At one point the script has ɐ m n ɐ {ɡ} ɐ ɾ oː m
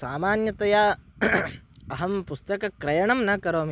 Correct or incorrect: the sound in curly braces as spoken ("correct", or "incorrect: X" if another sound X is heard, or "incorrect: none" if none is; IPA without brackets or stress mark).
incorrect: k